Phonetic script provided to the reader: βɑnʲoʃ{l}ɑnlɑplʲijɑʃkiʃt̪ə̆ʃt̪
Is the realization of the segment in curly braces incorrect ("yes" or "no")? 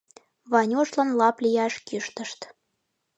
no